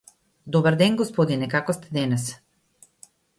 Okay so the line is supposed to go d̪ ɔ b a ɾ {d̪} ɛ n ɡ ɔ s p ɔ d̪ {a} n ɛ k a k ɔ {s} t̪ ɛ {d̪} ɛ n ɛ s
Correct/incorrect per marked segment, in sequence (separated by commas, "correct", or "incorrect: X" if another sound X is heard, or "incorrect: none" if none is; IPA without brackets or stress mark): correct, incorrect: i, correct, correct